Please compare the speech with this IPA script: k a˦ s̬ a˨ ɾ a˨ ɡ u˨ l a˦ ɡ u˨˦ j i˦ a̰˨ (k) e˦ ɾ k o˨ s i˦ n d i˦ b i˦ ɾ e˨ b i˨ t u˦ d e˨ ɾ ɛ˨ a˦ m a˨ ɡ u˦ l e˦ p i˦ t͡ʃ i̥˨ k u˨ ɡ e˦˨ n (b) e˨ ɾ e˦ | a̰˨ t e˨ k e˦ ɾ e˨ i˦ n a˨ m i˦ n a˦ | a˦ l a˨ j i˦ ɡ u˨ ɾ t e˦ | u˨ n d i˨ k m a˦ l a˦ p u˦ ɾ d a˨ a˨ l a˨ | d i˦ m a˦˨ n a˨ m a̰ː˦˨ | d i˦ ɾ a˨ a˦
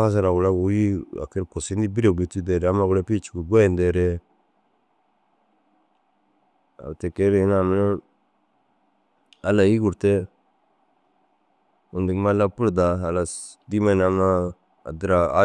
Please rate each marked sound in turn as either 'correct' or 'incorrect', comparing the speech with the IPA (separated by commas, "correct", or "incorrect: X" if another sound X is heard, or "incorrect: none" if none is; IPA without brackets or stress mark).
correct, incorrect: d